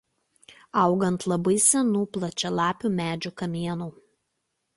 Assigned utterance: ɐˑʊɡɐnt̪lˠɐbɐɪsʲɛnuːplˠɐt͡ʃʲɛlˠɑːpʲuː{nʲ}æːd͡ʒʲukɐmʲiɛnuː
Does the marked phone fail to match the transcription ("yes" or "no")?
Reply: yes